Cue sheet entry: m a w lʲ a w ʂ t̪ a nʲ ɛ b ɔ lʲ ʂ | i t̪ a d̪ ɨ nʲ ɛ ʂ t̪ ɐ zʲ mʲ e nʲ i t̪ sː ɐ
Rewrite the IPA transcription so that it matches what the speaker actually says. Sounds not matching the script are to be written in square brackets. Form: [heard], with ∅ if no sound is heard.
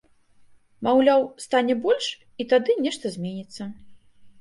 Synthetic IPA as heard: m a w lʲ a w [s] t̪ a nʲ ɛ b ɔ lʲ ʂ | i t̪ a d̪ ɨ nʲ ɛ ʂ t̪ ɐ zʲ mʲ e nʲ i t̪ sː ɐ